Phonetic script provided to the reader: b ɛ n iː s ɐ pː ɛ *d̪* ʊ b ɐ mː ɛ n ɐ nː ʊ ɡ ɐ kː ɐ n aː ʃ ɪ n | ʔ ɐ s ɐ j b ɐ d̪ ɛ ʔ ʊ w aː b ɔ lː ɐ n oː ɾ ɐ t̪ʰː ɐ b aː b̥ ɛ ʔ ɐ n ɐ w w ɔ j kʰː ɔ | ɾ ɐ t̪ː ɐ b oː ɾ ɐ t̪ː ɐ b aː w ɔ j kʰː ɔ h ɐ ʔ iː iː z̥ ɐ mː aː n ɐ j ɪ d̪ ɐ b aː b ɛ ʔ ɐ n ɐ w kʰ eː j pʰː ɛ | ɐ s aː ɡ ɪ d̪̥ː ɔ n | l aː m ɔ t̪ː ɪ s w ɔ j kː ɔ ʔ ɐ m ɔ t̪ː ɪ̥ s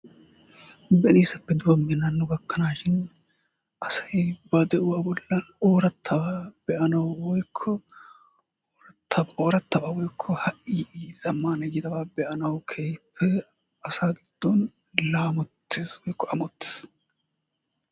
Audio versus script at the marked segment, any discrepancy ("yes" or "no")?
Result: no